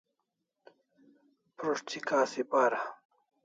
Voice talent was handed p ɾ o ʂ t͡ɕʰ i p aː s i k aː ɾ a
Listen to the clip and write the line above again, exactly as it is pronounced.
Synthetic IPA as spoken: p ɾ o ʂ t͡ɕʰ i k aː s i p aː ɾ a